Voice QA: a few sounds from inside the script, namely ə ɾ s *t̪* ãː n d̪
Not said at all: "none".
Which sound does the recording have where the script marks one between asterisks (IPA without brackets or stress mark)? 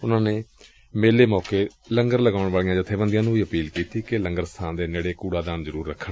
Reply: t̪ʰ